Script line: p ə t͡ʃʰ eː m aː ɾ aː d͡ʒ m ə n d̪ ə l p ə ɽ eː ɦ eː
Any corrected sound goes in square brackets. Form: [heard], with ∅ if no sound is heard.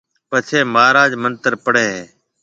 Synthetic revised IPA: p ə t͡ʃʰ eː m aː ɾ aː d͡ʒ m ə n [t̪] ə [ɾ] p ə ɽ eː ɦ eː